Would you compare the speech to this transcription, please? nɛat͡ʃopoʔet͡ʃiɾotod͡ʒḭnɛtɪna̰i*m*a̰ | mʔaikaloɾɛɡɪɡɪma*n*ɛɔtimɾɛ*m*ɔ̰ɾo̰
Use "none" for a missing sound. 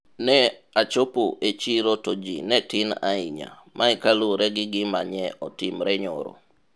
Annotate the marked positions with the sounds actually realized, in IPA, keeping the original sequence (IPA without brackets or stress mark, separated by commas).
ɲ, ɲ, ɲ